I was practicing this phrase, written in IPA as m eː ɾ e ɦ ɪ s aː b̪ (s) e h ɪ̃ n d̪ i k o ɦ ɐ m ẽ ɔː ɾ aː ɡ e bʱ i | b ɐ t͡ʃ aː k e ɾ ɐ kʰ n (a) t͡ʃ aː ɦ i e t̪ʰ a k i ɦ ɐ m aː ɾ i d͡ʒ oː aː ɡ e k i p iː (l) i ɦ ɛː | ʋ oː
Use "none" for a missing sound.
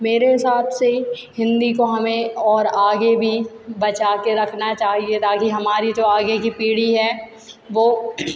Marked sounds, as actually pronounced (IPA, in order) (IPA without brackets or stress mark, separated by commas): s, a, ɽ